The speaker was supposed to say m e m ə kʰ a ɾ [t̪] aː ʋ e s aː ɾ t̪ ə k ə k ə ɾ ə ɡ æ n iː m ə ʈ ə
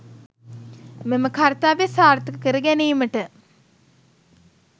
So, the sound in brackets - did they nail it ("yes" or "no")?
yes